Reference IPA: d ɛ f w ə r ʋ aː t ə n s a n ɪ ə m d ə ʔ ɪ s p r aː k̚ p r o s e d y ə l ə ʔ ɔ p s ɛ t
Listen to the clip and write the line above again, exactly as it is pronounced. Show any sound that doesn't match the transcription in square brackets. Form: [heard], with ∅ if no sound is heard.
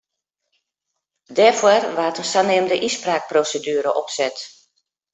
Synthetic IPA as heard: d ɛ f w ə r ʋ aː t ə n s a n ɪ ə m d ə ʔ [i] s p r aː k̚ p r o s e d y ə [ɾ] ə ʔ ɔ p s ɛ t